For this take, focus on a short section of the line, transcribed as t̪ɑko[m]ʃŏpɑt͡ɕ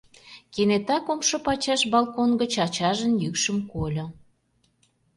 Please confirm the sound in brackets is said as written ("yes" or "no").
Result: yes